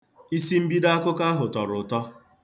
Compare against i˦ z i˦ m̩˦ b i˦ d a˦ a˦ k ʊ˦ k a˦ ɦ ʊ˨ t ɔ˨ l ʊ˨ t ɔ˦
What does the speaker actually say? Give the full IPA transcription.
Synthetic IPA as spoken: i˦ s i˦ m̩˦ b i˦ d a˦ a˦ k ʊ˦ k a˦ ɦ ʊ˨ t ɔ˨ ɾ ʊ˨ t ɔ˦